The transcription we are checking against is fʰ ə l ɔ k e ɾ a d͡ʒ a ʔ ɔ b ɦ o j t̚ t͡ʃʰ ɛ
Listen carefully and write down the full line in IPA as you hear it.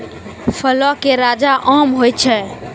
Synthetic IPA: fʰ ə l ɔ k e ɾ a d͡ʒ a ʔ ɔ m ɦ o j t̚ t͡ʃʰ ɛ